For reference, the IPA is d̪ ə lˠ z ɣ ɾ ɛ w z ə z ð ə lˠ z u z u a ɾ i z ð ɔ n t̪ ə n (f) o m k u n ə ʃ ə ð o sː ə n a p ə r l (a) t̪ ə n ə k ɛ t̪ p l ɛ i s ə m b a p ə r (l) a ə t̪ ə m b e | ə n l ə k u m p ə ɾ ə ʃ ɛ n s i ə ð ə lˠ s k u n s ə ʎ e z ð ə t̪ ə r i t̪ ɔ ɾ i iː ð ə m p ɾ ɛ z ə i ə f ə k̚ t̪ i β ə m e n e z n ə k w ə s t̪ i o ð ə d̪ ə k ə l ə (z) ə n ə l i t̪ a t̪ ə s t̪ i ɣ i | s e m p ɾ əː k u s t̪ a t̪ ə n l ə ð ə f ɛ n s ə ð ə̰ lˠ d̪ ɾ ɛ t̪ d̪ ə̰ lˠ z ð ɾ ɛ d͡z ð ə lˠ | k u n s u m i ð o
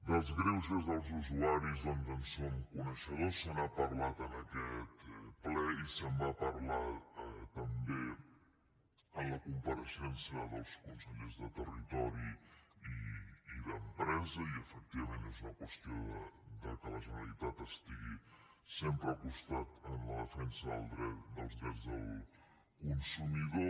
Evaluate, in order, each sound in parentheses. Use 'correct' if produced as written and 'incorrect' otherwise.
incorrect, correct, correct, incorrect

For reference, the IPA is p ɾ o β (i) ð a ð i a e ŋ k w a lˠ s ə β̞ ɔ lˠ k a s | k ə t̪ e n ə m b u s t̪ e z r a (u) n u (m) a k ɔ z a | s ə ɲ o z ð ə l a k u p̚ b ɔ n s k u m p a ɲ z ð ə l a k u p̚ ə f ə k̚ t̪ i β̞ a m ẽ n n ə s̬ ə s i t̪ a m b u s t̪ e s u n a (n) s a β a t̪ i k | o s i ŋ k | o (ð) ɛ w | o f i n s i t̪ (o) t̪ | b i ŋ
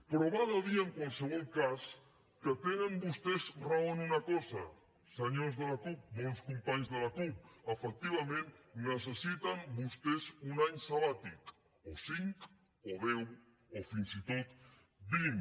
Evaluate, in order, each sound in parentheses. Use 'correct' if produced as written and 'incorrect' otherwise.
incorrect, incorrect, incorrect, incorrect, correct, correct

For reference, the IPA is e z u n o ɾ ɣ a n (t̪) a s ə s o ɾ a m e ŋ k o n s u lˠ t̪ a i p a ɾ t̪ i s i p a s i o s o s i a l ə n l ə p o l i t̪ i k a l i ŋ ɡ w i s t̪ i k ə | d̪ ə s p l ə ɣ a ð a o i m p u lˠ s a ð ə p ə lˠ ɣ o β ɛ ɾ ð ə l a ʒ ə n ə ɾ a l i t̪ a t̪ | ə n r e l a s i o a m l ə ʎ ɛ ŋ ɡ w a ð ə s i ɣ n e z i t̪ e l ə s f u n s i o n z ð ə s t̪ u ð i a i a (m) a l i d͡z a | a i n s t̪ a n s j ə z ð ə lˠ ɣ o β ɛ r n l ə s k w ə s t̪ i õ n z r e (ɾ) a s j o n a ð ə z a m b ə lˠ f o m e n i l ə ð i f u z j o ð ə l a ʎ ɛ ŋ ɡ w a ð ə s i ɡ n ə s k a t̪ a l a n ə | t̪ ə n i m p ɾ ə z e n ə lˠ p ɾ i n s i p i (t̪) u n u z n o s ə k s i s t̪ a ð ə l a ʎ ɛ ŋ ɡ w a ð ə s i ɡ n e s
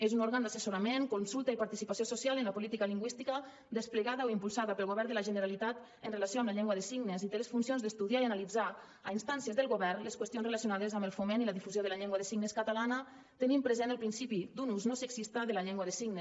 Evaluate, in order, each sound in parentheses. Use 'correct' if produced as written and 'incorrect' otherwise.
incorrect, incorrect, incorrect, incorrect

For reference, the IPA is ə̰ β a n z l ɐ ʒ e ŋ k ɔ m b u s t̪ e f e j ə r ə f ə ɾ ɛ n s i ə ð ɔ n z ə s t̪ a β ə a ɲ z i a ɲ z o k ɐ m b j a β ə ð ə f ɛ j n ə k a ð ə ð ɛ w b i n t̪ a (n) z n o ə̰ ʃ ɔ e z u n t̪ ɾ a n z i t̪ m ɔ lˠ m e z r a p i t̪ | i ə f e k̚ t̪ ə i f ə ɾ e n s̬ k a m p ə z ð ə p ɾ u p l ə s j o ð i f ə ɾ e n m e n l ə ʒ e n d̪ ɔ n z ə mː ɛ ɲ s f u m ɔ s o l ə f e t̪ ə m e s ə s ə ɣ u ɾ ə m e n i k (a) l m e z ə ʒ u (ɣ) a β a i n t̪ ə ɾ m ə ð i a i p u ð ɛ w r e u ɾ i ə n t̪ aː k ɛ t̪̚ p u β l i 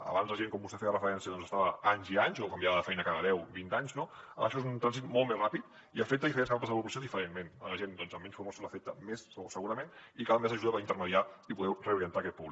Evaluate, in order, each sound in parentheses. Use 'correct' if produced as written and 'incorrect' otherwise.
incorrect, correct, incorrect

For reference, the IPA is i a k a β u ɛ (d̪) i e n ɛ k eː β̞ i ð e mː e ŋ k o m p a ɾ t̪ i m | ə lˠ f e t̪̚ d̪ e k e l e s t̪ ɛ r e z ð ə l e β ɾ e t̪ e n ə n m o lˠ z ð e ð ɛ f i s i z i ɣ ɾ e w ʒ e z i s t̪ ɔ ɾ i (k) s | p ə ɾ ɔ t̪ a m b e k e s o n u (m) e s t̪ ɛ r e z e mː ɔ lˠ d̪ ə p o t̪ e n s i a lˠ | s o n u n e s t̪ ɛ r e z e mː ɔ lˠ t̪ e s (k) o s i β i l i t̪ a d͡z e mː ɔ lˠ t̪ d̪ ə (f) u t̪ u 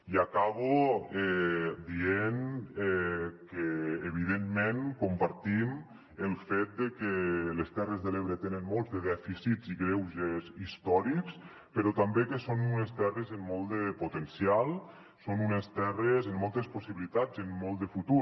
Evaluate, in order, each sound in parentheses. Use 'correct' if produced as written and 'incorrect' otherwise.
correct, correct, incorrect, incorrect, correct

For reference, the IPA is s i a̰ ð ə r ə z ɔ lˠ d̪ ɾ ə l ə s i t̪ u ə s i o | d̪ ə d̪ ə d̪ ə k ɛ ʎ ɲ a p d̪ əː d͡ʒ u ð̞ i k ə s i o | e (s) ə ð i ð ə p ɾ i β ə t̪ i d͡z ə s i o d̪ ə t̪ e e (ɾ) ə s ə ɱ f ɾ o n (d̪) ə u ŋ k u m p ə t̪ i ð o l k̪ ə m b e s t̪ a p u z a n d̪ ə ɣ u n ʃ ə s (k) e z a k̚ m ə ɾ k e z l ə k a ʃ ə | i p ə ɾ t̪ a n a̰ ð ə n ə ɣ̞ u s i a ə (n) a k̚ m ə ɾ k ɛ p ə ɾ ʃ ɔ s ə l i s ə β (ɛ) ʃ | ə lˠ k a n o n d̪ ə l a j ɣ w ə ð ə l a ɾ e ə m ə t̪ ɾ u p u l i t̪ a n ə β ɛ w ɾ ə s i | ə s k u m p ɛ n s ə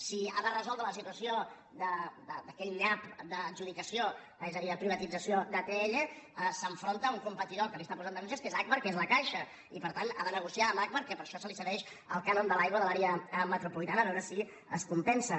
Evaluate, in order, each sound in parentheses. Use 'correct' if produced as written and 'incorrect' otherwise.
incorrect, incorrect, incorrect, correct, incorrect, correct

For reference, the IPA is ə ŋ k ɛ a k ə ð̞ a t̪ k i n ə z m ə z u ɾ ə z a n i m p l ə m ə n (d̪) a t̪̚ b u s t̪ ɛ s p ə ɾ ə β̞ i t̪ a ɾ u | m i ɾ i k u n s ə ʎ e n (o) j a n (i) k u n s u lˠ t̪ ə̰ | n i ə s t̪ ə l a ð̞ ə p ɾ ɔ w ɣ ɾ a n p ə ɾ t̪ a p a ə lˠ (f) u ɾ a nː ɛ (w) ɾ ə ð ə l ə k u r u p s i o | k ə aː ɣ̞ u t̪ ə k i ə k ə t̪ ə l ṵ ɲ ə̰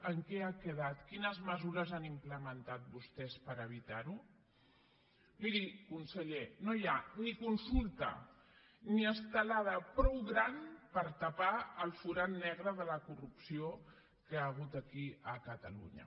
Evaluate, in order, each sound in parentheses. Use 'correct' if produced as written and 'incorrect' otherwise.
incorrect, correct, correct, correct, incorrect

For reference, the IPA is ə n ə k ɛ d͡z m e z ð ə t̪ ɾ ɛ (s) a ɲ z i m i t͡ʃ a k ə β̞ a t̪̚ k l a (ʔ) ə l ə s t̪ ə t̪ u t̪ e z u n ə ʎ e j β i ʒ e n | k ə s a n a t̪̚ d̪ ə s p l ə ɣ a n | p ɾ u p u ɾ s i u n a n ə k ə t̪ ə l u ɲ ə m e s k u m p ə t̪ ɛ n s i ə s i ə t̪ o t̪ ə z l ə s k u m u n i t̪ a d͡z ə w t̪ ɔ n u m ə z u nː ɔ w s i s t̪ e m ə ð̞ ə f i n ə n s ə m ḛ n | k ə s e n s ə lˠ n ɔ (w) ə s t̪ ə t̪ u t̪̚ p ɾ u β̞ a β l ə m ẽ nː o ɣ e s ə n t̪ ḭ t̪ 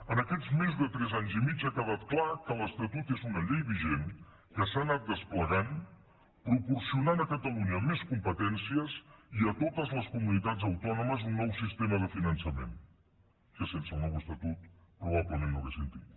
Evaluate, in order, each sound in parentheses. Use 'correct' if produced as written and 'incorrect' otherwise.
incorrect, incorrect, correct

